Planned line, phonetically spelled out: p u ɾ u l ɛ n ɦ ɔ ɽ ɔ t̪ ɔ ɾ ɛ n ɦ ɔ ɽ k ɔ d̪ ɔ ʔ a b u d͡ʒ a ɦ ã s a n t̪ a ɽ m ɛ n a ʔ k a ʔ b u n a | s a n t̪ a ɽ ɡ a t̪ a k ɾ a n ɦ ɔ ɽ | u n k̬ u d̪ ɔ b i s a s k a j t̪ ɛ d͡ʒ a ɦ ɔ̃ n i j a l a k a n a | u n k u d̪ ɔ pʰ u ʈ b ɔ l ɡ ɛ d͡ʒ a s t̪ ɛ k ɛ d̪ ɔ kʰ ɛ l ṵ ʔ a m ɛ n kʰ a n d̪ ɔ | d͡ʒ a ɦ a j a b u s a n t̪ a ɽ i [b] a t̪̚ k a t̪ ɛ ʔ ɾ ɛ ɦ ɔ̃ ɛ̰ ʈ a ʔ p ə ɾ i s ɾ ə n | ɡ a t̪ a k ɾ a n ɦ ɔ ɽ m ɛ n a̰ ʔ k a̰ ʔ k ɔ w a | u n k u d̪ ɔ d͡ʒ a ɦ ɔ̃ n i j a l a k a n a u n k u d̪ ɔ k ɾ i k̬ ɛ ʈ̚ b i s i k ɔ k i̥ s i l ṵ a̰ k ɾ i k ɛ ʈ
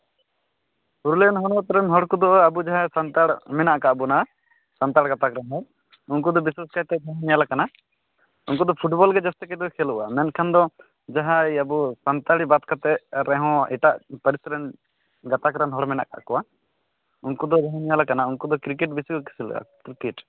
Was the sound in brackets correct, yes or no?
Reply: yes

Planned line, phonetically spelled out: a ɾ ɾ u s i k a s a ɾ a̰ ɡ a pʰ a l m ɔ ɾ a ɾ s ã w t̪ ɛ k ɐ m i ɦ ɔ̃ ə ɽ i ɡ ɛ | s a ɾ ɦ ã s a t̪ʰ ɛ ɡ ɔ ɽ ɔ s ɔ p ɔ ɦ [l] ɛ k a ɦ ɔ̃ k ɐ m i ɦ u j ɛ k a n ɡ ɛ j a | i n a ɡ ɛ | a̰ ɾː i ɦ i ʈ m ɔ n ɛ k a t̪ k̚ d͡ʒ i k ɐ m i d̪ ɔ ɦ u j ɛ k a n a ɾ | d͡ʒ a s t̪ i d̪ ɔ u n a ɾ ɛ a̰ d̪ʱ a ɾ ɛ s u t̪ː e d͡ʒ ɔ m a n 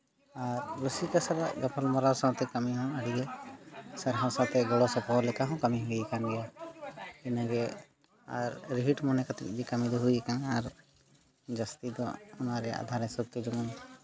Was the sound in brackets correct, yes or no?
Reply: yes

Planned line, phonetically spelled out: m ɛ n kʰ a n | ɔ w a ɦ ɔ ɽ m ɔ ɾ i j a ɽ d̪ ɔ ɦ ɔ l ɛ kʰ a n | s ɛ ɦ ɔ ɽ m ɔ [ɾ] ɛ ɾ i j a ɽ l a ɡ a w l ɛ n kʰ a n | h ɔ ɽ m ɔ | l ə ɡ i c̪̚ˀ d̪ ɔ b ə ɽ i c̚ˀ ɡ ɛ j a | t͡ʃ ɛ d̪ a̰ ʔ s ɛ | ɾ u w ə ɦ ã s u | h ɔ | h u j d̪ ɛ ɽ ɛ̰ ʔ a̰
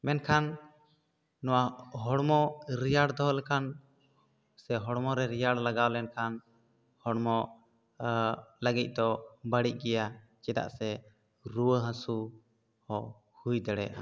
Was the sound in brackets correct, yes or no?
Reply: yes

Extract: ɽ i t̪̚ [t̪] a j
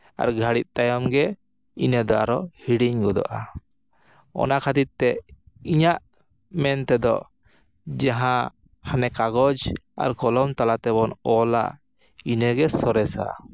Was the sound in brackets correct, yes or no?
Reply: yes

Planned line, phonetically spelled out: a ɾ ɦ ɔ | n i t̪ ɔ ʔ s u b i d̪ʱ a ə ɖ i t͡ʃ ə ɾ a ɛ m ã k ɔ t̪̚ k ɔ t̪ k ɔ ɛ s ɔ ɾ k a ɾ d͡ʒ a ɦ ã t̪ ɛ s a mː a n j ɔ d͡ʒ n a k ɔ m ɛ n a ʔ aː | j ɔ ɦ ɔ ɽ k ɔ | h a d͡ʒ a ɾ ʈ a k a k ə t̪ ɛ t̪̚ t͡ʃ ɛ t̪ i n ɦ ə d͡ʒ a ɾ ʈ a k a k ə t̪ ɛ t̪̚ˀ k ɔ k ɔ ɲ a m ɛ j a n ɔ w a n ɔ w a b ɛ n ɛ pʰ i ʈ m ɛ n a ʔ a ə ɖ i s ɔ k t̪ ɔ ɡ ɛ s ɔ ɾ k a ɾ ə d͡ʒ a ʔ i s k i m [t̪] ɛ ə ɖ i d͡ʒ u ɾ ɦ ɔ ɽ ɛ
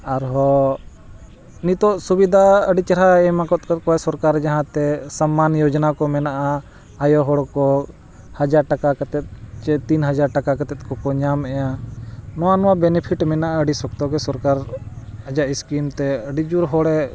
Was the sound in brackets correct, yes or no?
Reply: yes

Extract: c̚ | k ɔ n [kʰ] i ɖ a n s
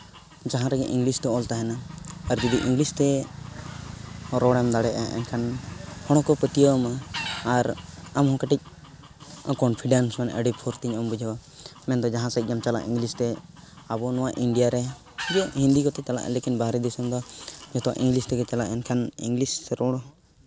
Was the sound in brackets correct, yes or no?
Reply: no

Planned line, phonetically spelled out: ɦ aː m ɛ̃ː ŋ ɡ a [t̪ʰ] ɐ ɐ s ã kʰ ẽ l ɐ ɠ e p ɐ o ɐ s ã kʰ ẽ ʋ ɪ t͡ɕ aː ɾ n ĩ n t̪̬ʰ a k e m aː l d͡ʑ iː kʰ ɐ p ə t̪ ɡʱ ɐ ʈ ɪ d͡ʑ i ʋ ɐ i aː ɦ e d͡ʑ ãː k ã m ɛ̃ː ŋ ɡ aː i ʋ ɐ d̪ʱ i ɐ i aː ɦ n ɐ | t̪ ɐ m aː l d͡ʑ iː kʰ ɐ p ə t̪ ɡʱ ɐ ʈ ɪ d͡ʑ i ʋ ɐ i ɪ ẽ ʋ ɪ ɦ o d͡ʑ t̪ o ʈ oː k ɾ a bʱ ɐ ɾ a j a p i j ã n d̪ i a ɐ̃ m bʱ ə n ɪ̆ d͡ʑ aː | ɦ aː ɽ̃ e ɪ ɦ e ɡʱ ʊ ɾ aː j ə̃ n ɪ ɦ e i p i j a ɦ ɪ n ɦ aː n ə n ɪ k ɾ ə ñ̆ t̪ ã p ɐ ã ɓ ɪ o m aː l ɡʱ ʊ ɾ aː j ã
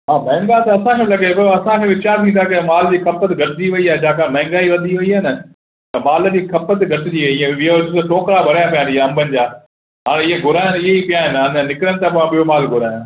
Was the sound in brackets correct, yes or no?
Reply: no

